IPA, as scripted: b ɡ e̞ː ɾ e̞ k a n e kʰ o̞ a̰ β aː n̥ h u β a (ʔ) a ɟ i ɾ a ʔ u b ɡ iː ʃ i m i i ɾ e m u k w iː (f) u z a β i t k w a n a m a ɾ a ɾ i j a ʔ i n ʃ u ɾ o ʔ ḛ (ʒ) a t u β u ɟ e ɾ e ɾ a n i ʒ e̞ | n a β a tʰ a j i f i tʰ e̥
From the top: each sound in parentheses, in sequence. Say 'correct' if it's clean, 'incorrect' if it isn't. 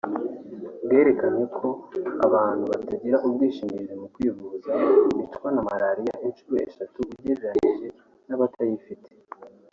incorrect: t, incorrect: v, incorrect: ʃ

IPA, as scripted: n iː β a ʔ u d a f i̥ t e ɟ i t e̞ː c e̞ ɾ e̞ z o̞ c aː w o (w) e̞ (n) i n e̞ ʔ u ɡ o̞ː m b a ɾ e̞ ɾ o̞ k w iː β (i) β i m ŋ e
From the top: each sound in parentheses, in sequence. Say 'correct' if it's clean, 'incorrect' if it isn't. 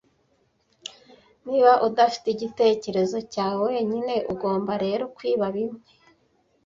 correct, incorrect: ɲ, incorrect: a

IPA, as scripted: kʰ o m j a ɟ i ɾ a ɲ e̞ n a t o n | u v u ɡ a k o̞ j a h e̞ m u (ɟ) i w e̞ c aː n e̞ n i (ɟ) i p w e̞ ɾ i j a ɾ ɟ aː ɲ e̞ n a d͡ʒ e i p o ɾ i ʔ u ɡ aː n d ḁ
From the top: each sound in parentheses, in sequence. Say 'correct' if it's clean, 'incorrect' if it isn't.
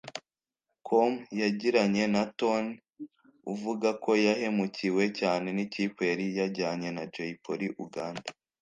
incorrect: c, incorrect: c

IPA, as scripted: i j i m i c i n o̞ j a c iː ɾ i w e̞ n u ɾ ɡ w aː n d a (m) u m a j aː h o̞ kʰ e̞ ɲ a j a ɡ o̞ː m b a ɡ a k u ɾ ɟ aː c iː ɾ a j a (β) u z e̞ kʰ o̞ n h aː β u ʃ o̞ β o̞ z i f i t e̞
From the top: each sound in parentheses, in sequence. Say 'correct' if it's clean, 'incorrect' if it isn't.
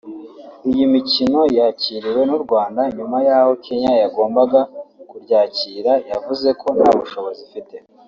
incorrect: ɲ, incorrect: v

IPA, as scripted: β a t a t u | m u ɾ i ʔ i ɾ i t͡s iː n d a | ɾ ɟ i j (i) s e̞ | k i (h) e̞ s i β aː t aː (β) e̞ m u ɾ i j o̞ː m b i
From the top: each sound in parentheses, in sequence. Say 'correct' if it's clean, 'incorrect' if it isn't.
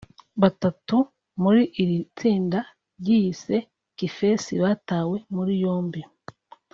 correct, incorrect: f, incorrect: w

